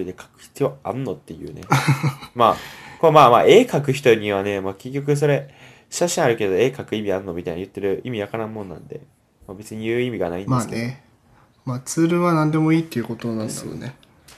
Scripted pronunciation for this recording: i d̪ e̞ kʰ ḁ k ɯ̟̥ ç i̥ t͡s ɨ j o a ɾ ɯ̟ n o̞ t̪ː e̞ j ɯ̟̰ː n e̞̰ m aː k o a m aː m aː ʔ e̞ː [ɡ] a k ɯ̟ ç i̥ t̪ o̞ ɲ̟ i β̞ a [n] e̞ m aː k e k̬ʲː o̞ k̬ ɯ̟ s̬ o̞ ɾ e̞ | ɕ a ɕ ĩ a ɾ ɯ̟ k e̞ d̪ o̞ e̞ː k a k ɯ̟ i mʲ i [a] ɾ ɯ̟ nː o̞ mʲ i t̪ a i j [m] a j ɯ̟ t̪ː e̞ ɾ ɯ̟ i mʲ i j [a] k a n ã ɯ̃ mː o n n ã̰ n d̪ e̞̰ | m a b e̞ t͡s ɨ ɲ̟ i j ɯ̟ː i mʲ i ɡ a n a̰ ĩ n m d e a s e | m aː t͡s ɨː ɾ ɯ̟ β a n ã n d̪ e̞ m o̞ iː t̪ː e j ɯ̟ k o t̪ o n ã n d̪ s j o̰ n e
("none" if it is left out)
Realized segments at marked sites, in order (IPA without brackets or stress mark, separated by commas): k, n, a, n, a